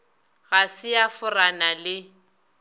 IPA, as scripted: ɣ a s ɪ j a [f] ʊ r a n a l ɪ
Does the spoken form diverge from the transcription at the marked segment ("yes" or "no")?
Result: no